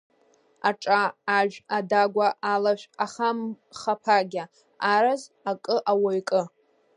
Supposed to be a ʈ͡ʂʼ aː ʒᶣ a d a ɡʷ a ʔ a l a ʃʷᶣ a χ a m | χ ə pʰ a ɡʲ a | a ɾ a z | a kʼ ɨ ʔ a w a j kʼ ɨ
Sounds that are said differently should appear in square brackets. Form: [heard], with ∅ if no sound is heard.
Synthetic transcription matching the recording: a ʈ͡ʂʼ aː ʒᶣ a d a ɡʷ a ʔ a l a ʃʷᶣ a χ a m | χ [a] pʰ a ɡʲ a | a ɾ a z | a kʼ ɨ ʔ a w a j kʼ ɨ